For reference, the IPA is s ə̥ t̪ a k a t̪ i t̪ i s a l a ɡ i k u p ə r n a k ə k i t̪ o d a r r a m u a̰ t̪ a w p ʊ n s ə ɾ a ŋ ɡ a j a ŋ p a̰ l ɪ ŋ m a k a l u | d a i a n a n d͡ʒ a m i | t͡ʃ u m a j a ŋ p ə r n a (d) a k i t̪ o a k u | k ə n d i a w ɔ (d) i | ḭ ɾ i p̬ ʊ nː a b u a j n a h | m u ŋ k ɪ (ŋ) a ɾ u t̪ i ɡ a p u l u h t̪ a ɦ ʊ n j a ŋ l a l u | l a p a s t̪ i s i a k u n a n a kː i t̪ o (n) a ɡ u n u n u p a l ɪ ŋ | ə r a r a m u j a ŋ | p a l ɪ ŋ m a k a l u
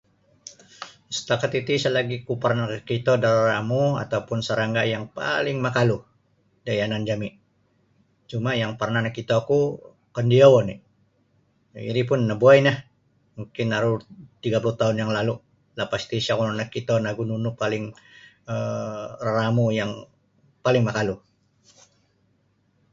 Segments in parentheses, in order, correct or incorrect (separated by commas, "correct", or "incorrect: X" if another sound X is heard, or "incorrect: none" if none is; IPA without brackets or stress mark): incorrect: n, incorrect: n, incorrect: n, correct